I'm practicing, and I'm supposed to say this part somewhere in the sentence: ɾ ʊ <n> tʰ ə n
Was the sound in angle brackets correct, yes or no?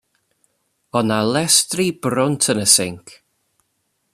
yes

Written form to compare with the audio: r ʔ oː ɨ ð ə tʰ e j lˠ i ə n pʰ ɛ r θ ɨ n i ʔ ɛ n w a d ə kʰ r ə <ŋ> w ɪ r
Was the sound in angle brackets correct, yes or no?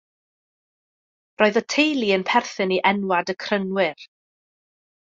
no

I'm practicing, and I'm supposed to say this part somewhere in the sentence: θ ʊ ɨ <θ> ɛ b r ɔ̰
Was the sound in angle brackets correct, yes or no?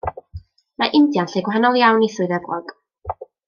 no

